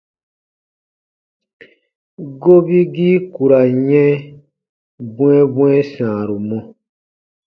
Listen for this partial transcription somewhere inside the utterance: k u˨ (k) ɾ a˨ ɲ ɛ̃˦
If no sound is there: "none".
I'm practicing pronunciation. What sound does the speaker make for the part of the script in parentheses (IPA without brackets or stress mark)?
none